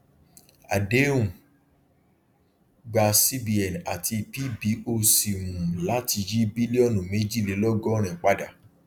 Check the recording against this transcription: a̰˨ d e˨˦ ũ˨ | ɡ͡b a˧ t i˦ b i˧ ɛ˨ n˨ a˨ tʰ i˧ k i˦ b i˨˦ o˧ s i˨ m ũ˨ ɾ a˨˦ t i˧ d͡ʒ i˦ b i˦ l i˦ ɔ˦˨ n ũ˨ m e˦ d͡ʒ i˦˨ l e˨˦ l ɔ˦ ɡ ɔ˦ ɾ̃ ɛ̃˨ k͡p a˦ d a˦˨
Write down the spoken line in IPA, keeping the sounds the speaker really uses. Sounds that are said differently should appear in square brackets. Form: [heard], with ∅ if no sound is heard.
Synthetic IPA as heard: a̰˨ d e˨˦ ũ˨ | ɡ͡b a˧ [s] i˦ b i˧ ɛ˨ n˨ a˨ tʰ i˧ [p] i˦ b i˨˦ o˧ s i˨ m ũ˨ [l] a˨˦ t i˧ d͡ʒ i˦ b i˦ l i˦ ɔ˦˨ n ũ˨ m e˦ d͡ʒ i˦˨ l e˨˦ l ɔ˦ ɡ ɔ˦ ɾ̃ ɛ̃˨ k͡p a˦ d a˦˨